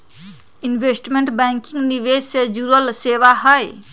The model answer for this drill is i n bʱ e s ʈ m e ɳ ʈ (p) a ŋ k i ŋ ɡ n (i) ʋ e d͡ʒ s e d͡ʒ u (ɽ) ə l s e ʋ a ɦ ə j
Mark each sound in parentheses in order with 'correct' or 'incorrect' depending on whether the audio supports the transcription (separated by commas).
incorrect, correct, incorrect